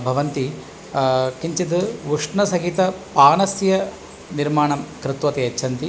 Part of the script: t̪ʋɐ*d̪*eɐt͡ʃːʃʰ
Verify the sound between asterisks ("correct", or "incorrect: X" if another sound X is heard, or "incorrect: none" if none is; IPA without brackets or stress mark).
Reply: incorrect: t̪